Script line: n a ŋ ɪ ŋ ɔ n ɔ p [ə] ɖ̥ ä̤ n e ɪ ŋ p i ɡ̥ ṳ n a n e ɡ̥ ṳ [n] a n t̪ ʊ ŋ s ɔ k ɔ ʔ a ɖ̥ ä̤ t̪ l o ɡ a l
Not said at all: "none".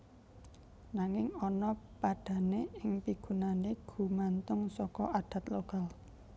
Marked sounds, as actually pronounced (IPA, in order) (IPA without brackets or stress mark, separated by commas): a, m